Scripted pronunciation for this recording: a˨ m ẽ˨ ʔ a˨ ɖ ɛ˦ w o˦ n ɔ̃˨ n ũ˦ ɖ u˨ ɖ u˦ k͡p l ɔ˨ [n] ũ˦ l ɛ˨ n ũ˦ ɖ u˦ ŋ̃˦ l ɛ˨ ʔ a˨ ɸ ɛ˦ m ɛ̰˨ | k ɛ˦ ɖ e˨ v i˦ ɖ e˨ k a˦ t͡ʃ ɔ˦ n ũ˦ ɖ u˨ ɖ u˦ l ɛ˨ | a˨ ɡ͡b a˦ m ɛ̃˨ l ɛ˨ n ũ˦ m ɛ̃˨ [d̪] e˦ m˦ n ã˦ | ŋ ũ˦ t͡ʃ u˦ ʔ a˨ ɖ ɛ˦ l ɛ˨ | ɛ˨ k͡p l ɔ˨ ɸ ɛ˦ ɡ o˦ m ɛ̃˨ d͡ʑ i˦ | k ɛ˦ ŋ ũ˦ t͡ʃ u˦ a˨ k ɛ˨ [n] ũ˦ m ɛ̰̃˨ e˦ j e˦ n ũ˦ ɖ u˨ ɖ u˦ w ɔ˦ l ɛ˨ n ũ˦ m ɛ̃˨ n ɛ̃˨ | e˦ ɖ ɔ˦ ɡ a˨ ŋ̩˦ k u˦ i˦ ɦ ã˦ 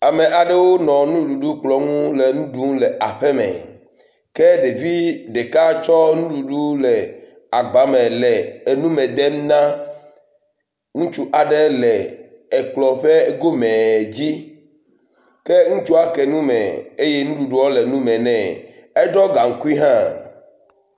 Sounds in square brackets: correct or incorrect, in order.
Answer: incorrect: ŋ, correct, correct

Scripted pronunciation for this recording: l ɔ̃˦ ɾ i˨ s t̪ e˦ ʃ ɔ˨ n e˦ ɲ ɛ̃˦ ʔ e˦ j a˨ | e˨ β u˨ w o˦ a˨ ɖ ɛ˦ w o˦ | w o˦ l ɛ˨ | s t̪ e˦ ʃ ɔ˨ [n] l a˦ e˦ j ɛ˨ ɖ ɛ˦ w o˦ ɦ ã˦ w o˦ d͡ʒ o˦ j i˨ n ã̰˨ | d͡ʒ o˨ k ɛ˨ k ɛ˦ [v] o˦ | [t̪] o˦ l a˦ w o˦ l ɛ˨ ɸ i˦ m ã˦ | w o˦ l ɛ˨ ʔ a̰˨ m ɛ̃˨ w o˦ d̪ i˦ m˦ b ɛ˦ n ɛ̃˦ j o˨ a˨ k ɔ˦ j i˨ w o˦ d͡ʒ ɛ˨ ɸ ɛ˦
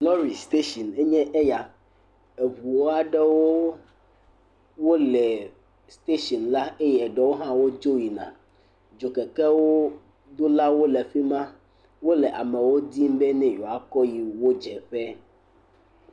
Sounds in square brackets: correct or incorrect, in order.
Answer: correct, incorrect: w, incorrect: d̪

